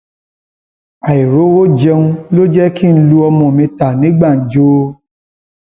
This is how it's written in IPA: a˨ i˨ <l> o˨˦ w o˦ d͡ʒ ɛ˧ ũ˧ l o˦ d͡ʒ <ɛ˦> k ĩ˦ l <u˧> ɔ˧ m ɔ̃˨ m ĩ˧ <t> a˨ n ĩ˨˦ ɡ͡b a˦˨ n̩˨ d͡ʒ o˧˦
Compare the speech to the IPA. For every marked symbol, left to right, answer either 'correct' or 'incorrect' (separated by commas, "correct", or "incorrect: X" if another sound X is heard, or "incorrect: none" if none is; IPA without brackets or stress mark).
incorrect: ɾ, correct, correct, correct